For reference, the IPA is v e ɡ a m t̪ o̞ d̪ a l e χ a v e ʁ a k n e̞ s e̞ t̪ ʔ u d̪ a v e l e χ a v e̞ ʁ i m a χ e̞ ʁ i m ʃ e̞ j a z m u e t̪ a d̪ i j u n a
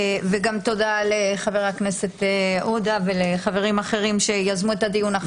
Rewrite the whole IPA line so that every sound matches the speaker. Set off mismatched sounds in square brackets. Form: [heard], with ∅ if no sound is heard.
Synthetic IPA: v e ɡ a m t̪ o̞ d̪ a l e χ a v e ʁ a k n e̞ s e̞ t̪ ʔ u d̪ a v e l e χ a v e̞ ʁ i m a χ e̞ ʁ i m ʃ e̞ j a z m u e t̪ a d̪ i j u n a

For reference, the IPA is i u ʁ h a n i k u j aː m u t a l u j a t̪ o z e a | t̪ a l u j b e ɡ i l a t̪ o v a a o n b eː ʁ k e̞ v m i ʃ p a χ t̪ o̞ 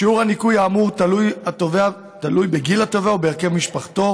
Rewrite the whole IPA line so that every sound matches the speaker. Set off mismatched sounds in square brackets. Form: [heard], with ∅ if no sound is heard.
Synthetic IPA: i u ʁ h a n i k u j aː m u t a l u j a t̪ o [v] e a | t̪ a l u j b e ɡ i l a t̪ o v [e] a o [∅] b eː ʁ k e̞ v m i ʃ p a χ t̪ o̞

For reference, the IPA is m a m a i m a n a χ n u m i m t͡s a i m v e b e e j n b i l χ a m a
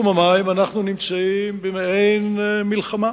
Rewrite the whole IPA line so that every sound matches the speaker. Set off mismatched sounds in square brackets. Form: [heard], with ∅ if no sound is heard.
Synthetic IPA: m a m a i m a n a χ n u [n] i m t͡s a i m [b] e [m] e e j n [m] i l χ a m a

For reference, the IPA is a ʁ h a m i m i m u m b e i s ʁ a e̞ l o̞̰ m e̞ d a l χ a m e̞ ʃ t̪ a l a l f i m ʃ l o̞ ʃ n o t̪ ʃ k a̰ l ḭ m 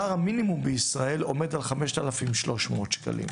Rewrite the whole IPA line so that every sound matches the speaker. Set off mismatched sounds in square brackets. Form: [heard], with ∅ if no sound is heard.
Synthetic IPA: a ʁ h a m i [n] i m u m b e i s ʁ a e̞ l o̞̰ m e̞ d a l χ a m e̞ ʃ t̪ a l a [∅] f i m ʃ l o̞ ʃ [m] o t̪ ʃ k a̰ l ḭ m

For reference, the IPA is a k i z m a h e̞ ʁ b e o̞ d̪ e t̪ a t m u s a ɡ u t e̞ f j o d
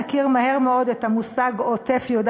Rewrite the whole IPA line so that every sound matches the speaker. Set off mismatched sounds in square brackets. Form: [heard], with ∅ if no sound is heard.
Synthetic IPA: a k i [ʁ] m a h e̞ ʁ [m] e o̞ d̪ e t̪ a [∅] m u s a ɡ [o] t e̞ f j o d

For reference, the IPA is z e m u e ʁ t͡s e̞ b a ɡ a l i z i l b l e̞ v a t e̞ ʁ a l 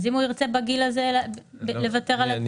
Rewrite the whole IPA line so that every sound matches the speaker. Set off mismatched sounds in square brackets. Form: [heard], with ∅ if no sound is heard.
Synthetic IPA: z [i] m u [i] ʁ t͡s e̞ b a ɡ [i] l [a] z [e] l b l e̞ v a t e̞ ʁ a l

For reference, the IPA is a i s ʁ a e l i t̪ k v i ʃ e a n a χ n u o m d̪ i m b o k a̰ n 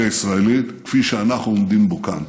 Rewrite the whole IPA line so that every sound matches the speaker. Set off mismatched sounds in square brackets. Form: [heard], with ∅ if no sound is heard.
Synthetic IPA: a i s ʁ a e l i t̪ k [f] i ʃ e a n a χ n u o m d̪ i m b o k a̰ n

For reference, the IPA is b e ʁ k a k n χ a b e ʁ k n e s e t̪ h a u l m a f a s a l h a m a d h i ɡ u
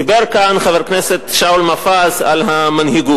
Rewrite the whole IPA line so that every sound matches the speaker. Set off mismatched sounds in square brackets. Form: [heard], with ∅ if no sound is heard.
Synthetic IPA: b e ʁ k a [∅] n χ a [v] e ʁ k n e s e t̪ [ʃ] a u l m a f a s a l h a m a [n] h i ɡ u

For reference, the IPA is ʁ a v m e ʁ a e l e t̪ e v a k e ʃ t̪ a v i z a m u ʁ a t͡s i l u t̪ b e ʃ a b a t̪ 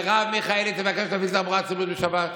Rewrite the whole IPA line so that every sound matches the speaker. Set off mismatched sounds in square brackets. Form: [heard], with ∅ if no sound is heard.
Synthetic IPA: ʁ a v m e [χ] a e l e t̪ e v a k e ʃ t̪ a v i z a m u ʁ a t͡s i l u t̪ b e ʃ a b a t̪

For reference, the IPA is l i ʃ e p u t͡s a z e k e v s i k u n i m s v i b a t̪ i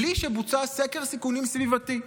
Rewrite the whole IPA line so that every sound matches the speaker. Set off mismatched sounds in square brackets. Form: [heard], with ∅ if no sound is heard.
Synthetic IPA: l i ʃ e [b] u t͡s a [s] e k e [ʁ] s i k u n i m s v i [v] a t̪ i

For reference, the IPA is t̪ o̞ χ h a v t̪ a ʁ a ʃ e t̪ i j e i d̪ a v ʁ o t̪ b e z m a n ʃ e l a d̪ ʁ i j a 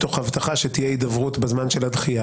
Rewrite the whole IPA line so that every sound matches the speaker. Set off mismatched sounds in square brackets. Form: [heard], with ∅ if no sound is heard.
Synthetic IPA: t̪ o̞ χ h a v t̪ a [χ] a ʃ e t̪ i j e i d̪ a v ʁ [u] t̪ b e z m a n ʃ e l a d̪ [χ] i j a

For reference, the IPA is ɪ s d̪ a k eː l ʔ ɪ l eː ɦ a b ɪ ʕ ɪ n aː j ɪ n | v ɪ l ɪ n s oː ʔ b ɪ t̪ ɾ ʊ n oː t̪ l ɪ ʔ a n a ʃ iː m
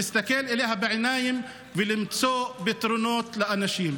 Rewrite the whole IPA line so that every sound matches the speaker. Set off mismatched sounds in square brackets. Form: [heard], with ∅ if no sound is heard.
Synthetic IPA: ɪ s [t̪] a k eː l ʔ ɪ l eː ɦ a b ɪ ʕ ɪ n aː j ɪ [m] | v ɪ l ɪ [m] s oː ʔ b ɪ t̪ ɾ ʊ n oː t̪ l ɪ ʔ a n a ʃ iː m

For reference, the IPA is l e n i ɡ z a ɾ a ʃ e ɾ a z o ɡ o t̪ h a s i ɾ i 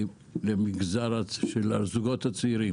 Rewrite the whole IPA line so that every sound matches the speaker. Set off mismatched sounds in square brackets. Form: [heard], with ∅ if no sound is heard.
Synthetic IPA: l e [m] i ɡ z a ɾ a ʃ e [l] a z [u] ɡ o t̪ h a [t͡s] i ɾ i

